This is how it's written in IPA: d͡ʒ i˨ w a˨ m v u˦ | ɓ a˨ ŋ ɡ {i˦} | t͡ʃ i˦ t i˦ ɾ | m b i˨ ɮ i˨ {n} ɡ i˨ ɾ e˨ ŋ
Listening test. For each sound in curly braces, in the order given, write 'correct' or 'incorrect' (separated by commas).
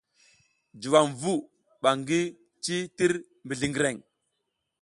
correct, incorrect